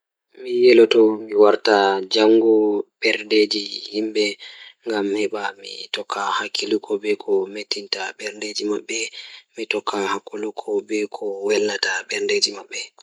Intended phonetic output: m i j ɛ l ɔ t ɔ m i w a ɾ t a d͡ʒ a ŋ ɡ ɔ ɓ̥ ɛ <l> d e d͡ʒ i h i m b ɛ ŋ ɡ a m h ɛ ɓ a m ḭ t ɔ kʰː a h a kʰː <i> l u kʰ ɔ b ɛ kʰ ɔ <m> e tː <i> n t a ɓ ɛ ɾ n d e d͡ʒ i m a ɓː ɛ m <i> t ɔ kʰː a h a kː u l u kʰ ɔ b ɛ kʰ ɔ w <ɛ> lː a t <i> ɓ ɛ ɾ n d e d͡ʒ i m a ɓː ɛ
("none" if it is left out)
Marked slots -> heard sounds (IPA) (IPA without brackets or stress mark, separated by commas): ɾ, i, m, i, i, ɛ, a